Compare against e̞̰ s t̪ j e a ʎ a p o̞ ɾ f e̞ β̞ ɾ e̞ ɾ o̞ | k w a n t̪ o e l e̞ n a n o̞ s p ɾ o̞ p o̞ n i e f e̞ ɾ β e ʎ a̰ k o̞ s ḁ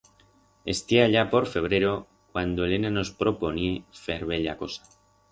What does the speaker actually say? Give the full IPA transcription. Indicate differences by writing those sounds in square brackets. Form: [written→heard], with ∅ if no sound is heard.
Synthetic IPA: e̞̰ s t̪ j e a ʎ a p o̞ ɾ f e̞ β̞ ɾ e̞ ɾ o̞ | k w a n [t̪→d̪] o e l e̞ n a n o̞ s p ɾ o̞ p o̞ n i e f e̞ ɾ β e ʎ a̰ k o̞ s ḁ